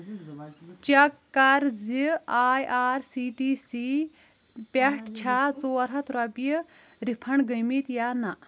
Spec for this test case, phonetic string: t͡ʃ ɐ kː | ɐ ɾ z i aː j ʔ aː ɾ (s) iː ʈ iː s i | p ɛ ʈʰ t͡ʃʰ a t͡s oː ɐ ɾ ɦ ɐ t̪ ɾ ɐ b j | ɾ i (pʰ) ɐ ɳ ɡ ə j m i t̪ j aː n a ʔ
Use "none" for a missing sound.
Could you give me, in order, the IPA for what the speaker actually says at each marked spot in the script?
s, pʰ

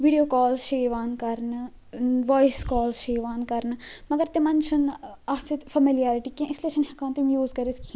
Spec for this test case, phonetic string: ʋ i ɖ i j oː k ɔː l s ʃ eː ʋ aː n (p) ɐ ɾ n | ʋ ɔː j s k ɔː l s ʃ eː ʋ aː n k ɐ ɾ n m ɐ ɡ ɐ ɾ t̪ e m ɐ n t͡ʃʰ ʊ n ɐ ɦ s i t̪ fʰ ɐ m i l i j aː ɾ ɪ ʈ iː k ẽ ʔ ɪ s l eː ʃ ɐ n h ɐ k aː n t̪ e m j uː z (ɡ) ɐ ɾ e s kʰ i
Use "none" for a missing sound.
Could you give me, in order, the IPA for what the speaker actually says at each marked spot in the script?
k, k

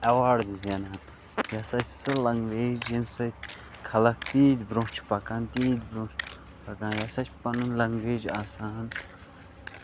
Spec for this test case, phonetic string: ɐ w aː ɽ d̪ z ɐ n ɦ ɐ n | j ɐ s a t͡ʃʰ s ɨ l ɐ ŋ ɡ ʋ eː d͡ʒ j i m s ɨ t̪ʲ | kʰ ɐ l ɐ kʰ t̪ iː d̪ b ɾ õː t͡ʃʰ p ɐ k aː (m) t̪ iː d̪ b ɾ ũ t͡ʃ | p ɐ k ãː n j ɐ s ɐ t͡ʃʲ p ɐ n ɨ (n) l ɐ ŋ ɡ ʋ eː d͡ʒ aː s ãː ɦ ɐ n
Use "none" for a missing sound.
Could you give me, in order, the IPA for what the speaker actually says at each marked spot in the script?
n, n

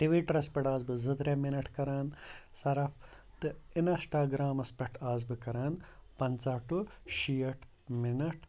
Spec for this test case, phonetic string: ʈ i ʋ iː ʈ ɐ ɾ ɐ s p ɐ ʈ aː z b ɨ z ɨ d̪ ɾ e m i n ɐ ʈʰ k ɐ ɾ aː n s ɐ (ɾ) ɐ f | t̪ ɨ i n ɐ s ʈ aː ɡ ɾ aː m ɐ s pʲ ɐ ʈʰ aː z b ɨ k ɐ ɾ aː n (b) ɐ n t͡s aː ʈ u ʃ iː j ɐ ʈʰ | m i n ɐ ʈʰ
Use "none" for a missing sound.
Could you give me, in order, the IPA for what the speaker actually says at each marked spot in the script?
ɾ, p

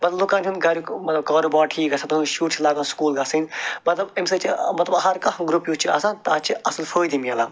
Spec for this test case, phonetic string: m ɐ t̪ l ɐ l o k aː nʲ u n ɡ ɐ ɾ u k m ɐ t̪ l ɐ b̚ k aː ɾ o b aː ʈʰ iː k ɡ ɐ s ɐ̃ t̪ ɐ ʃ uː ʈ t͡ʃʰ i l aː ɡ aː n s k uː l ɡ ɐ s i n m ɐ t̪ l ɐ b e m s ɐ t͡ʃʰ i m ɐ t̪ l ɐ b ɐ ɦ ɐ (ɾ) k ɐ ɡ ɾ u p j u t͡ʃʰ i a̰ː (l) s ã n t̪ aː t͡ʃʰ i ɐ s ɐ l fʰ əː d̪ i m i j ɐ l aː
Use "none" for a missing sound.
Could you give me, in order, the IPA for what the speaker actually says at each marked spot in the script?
ɾ, none

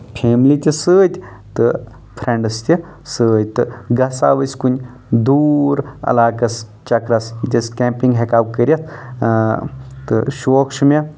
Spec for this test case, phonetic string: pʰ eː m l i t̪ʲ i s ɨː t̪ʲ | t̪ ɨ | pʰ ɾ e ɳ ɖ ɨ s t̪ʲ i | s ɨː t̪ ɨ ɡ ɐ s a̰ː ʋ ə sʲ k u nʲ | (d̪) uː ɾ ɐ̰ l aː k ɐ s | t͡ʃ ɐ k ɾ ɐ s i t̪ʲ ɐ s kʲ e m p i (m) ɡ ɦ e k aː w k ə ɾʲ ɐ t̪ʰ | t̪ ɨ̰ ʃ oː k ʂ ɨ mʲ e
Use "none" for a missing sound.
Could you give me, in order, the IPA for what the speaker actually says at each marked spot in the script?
d̪, ŋ

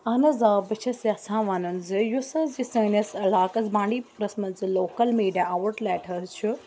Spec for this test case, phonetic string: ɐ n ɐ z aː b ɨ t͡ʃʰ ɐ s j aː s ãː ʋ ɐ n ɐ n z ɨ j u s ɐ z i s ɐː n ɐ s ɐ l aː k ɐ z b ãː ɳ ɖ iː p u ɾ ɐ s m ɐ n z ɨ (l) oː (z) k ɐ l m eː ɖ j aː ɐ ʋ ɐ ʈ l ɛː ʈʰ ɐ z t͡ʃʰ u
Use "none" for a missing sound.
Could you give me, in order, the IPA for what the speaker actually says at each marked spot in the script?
l, none

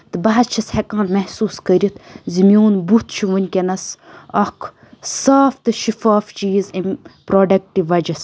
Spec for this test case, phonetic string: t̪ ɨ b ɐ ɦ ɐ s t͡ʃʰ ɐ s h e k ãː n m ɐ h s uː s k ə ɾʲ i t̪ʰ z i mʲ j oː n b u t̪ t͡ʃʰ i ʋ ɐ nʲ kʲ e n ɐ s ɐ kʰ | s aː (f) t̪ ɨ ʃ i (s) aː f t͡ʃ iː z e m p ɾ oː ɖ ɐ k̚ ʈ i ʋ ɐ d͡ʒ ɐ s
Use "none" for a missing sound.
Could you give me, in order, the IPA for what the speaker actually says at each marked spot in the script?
f, f

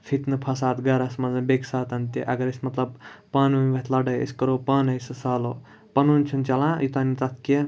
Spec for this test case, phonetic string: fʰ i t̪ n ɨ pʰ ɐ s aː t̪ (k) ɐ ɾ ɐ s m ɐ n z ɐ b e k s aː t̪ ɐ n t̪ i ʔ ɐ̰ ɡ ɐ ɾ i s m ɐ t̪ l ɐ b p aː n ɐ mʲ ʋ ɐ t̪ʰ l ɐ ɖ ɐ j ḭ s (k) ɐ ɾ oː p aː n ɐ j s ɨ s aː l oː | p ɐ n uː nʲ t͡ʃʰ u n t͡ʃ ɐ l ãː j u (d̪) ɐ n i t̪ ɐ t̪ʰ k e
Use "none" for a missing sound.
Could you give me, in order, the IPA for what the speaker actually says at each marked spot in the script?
ɡ, k, t̪

